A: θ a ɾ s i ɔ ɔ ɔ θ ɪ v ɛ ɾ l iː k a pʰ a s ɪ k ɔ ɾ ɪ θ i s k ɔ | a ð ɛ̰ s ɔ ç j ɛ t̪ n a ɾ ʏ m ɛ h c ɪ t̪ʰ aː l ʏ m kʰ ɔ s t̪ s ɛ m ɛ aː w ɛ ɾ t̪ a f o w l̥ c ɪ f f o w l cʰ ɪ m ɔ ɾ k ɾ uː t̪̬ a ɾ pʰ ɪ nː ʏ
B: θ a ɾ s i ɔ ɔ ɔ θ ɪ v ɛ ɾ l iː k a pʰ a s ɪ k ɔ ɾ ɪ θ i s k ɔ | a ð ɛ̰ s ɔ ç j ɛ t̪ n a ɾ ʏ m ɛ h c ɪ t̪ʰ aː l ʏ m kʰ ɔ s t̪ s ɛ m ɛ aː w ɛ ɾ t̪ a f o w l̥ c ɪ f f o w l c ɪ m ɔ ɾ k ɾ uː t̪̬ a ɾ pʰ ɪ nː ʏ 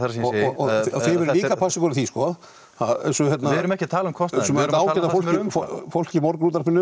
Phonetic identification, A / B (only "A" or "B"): B